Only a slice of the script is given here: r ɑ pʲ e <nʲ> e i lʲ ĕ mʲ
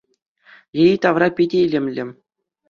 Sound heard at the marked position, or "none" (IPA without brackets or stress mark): dʲ